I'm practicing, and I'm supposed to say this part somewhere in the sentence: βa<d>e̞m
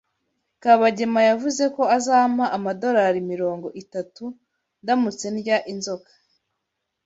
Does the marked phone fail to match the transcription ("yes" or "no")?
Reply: yes